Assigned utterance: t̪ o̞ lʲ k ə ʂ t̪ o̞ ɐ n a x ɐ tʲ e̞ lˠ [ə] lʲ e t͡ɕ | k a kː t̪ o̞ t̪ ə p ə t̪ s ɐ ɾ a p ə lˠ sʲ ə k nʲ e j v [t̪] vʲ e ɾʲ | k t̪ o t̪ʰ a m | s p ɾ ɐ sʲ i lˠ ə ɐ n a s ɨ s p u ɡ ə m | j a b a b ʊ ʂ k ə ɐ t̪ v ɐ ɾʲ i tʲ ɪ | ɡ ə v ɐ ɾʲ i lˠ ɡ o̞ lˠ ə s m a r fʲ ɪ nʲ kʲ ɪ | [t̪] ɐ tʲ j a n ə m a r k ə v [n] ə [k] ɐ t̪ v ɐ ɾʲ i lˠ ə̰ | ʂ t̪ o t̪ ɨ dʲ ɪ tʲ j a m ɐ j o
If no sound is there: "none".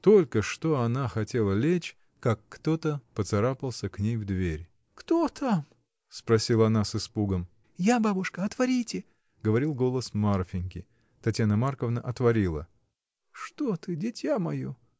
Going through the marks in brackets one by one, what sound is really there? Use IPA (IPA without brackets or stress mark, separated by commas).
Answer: ə, d̪, t̪, n, ʔ